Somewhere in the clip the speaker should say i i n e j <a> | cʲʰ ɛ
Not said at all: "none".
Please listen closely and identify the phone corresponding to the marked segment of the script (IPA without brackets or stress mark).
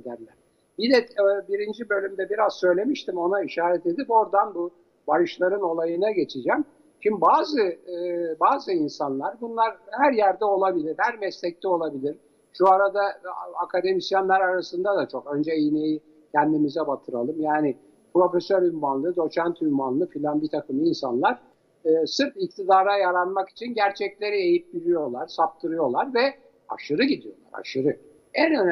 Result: i